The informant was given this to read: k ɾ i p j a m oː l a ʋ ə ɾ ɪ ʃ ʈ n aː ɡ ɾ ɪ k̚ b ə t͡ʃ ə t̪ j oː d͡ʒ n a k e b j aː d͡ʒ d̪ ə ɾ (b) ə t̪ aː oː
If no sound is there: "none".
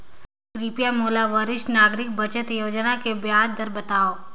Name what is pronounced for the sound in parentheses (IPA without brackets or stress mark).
b